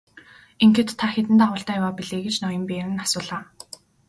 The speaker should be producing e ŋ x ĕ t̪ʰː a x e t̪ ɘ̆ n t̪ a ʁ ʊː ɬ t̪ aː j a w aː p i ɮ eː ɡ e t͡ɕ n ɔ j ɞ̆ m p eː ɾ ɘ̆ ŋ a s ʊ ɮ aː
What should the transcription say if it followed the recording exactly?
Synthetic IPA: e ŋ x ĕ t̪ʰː a x e t̪ ɘ̆ n t̪ a ʁ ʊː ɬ t̪ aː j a w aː p i ɮ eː ɡ e t͡ɕ n ɔ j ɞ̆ m p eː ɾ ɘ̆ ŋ a s ʊː ɮ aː